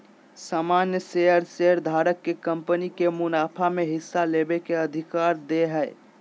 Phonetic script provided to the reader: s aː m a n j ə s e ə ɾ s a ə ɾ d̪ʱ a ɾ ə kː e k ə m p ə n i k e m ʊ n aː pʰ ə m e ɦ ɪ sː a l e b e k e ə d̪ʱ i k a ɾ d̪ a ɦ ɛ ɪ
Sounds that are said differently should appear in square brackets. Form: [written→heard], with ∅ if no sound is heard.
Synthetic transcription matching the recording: s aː m a n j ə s e ə ɾ s [a→e] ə ɾ d̪ʱ a ɾ ə kː e k ə m p ə n i k e m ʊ n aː pʰ [ə→a] m e ɦ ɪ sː a l e b e k e ə d̪ʱ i k a ɾ d̪ [a→e] ɦ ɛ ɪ